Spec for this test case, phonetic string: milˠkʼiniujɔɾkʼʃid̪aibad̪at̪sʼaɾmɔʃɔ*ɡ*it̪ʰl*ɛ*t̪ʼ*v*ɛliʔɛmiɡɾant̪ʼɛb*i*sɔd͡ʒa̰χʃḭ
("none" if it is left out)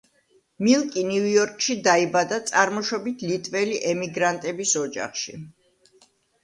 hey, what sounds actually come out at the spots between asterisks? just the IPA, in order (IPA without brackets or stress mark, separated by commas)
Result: b, i, v, i